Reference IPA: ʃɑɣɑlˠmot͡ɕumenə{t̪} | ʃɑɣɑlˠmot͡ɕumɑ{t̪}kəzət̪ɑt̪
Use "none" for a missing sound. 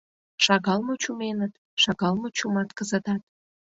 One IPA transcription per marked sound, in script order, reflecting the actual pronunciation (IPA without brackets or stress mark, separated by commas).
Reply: t̪, t̪